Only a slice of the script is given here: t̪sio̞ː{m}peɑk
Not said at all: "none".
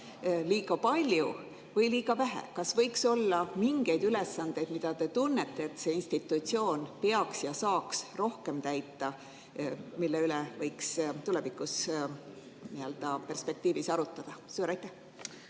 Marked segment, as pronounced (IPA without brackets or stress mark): n